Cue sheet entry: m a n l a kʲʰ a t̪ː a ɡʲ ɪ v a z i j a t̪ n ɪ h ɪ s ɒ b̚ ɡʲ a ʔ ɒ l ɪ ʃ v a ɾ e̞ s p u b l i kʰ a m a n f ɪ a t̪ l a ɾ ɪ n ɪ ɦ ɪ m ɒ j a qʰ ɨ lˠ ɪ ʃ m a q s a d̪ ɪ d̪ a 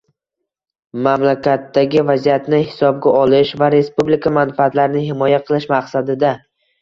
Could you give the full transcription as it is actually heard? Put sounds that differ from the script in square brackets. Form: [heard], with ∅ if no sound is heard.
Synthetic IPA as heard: m a [m] l a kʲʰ a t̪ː a ɡʲ ɪ v a z i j a t̪ n ɪ h ɪ s ɒ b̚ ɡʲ a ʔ ɒ l ɪ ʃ v a ɾ e̞ s p u b l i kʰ a m a n f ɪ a t̪ l a ɾ ɪ n ɪ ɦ ɪ m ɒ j a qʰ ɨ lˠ ɪ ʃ m a q s a d̪ ɪ d̪ a